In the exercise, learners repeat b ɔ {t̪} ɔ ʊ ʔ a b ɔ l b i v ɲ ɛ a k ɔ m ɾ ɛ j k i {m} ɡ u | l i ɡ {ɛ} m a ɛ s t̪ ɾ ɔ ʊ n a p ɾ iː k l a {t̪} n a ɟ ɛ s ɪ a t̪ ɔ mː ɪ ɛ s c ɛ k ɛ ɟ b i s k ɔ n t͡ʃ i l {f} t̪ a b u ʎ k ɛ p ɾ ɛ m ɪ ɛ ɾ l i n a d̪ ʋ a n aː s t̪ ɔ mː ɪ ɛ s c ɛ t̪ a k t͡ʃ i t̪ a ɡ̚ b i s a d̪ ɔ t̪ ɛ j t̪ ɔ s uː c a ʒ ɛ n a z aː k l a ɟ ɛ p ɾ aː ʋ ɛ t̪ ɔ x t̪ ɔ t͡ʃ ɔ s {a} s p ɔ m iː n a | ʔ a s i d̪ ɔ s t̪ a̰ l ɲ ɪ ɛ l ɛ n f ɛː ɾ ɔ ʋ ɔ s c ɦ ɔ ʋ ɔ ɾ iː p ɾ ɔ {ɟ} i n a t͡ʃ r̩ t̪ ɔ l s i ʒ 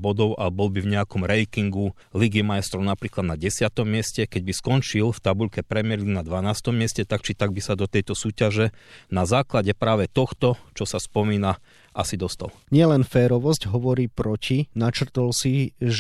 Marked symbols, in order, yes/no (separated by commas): no, no, no, no, yes, yes, no